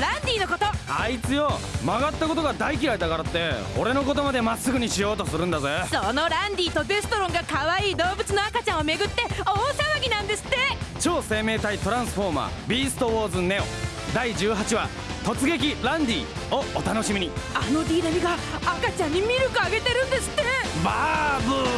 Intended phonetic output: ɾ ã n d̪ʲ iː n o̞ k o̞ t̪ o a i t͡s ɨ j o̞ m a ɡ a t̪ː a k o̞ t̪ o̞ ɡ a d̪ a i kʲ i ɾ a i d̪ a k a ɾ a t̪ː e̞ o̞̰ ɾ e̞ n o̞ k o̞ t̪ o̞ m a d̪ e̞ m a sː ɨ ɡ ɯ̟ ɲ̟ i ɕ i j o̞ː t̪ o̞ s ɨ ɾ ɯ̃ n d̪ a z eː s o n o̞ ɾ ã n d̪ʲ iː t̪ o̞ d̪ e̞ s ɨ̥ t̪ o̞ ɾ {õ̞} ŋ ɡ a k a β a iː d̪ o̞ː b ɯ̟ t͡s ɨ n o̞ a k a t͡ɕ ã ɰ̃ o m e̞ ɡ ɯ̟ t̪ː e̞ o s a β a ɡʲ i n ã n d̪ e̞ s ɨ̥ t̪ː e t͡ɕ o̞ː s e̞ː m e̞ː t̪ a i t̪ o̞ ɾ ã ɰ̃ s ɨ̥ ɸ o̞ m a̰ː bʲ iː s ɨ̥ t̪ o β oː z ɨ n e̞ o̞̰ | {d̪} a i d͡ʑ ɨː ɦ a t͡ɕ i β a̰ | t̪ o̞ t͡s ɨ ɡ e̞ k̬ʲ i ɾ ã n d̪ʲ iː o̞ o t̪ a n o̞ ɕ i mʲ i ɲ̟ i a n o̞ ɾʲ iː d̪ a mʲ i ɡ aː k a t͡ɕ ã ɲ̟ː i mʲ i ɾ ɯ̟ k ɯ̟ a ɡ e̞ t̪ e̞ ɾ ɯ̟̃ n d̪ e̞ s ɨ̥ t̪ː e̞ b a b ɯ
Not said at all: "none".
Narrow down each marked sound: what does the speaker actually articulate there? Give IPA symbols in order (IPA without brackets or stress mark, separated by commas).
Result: õ̞, d̪